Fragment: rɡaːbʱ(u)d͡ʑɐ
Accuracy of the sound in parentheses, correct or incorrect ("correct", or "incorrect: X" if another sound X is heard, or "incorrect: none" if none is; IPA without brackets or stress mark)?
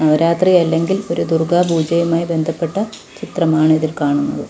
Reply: incorrect: uː